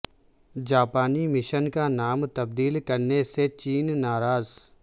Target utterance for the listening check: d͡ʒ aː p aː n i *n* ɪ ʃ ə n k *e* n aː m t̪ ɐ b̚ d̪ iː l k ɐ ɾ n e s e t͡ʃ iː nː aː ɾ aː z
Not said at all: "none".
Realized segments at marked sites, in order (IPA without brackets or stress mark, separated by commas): m, a